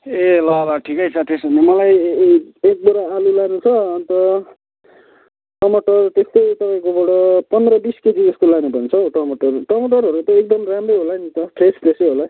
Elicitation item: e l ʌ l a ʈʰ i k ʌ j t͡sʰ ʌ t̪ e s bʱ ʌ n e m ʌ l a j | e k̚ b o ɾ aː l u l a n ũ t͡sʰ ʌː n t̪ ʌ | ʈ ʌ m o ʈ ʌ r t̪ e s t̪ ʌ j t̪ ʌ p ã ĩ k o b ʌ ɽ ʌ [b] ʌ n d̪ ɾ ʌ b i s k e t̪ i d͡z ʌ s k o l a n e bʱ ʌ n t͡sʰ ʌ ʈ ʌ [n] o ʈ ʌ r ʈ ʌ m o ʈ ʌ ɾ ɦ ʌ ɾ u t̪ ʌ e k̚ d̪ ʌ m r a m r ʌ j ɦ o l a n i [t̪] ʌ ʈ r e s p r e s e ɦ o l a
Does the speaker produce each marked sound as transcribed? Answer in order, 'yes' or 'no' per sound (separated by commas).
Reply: no, no, yes